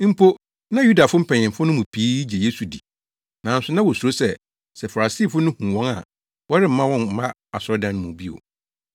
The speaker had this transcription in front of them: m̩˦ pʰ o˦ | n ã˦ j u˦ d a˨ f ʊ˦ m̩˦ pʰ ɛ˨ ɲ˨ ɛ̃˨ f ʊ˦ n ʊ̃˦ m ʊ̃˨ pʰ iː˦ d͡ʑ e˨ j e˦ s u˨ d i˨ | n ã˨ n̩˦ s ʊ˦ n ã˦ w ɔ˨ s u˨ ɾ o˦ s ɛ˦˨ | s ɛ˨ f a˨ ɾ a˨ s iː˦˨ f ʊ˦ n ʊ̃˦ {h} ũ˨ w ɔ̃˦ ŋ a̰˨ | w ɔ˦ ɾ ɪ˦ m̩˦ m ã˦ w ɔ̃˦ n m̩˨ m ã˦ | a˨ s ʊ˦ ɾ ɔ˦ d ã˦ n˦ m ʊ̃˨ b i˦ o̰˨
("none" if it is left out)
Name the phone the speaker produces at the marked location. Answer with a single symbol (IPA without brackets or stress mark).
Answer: h